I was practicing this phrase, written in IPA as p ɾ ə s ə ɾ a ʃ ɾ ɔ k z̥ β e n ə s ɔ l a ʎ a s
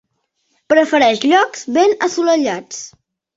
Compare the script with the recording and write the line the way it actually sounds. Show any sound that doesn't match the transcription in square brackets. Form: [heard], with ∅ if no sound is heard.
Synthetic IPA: p ɾ ə [f] ə ɾ [ɛ] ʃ [ʎ] ɔ k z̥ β e n ə s [u] l [ə] ʎ a [t͡s]

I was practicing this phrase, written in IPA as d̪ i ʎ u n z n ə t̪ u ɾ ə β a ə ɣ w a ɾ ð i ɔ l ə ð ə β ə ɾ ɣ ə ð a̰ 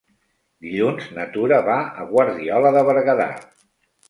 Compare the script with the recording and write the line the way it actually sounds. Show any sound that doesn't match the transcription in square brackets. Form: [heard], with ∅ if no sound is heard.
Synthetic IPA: d̪ i ʎ u n z n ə t̪ u ɾ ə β a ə ɣ w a ɾ ð i ɔ l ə ð ə β ə ɾ ɣ ə ð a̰

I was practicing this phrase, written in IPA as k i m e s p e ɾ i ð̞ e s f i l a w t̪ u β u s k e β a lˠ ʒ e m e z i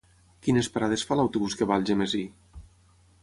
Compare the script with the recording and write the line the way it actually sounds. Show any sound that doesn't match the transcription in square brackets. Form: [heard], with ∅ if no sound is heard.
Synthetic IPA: k i [n] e s p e ɾ [a] ð̞ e s f [a] l a w t̪ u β u s k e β a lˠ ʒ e m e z i

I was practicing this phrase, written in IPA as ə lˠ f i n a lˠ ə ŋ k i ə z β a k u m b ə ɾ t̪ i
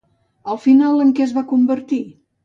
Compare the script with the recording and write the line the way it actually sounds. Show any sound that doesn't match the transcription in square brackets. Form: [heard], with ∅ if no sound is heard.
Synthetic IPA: ə lˠ f i n a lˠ ə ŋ k [ɛ] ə z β a k u m b ə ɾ t̪ i

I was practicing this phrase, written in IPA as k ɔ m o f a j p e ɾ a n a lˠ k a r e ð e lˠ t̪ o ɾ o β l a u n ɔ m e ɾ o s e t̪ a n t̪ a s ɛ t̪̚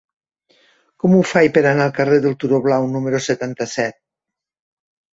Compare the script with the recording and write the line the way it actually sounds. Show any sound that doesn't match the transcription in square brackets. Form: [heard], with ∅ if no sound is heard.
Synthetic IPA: k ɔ m [u] f a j p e ɾ a n a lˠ k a r e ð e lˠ t̪ [u] ɾ o β l a [w] n [u] m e ɾ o s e t̪ a n t̪ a s ɛ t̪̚

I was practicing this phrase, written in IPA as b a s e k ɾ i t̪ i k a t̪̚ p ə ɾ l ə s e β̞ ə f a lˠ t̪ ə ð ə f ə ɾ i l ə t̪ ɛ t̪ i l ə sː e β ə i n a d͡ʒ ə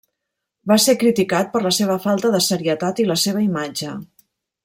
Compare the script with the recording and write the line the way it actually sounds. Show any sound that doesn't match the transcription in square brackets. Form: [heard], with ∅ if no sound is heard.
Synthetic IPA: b a s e k ɾ i t̪ i k a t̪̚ p ə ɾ l ə s e β̞ ə f a lˠ t̪ ə ð ə [s] ə ɾ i [∅] ə t̪ [a] t̪ i l ə [s] e β ə i [m] a d͡ʒ ə

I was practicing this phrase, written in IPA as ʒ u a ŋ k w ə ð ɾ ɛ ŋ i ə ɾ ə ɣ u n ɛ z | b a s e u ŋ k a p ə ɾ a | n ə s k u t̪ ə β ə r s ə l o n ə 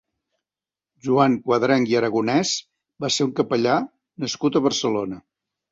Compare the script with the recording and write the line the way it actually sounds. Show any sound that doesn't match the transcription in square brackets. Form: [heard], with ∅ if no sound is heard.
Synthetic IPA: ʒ u a ŋ k w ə ð ɾ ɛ ŋ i ə ɾ ə ɣ u n ɛ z | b a s e u ŋ k [ə] p ə [ʎ] a | n ə s k u t̪ ə β ə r s ə l o n ə

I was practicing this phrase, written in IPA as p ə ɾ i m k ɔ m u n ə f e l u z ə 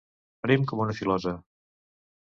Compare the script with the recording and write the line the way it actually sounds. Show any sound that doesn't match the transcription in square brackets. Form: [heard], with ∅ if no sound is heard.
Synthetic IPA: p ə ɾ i m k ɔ m u n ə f [i] l [ɔ] z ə

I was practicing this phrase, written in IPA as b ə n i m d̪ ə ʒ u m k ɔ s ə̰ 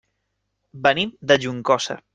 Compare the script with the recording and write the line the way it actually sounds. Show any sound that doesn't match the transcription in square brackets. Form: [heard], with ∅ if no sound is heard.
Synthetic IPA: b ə n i m d̪ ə ʒ u [ŋ] k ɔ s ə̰

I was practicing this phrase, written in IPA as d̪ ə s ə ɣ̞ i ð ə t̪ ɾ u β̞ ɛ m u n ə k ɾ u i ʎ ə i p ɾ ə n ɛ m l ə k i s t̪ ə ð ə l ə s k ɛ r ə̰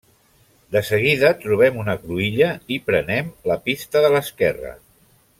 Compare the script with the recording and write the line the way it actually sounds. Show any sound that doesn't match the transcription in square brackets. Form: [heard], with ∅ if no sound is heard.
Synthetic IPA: d̪ ə s ə ɣ̞ i ð ə t̪ ɾ u β̞ ɛ m u n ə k ɾ u i ʎ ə i p ɾ ə n ɛ m l ə [p] i s t̪ ə ð ə l ə s k ɛ r ə̰

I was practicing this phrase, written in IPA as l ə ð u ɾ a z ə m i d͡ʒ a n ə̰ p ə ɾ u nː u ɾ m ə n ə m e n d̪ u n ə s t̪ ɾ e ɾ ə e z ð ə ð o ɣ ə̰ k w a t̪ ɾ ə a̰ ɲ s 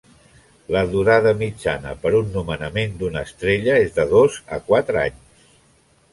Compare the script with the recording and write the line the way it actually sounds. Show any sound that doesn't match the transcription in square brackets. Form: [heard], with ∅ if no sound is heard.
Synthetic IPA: l ə ð u ɾ a [ð] ə m i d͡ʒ a n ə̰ p ə ɾ u nː u [∅] m ə n ə m e n d̪ u n ə s t̪ ɾ e [ʎ] ə e z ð ə ð o [z] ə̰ k w a t̪ ɾ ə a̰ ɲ s

